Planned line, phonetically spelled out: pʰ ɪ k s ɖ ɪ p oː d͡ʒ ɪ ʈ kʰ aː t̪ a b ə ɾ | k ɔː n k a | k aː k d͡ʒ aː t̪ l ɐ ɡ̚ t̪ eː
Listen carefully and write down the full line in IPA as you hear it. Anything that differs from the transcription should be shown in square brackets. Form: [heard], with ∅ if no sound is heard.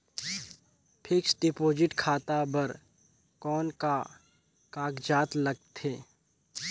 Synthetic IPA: pʰ ɪ k s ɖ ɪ p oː d͡ʒ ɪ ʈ kʰ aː t̪ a b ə ɾ | k ɔː n k a | k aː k d͡ʒ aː t̪ l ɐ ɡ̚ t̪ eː